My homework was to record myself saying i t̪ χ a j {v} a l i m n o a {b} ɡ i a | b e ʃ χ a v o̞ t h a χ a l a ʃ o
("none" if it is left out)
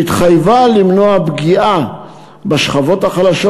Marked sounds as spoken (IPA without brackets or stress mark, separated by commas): v, b